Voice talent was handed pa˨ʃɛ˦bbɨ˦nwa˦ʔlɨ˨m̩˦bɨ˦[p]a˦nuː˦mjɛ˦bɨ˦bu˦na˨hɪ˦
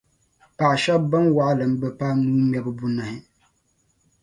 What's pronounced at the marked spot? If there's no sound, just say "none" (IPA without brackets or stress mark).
p